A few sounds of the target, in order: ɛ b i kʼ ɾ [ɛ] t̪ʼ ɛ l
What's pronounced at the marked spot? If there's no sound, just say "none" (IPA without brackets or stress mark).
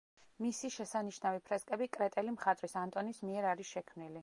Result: ɛ